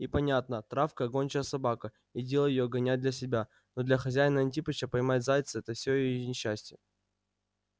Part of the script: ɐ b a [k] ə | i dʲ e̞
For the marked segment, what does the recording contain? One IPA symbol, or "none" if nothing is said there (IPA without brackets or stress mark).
k